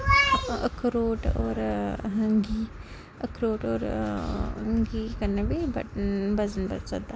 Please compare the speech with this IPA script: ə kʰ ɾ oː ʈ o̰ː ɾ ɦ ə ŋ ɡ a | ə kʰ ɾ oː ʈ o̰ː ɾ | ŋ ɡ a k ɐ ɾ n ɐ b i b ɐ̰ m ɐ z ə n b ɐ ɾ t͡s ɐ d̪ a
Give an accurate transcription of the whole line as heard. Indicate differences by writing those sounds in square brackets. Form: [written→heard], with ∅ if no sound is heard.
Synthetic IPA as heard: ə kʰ ɾ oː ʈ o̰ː ɾ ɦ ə ŋ ɡ [a→i] | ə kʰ ɾ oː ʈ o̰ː ɾ | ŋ ɡ [a→i] k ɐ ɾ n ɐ b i b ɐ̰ [m→b] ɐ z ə n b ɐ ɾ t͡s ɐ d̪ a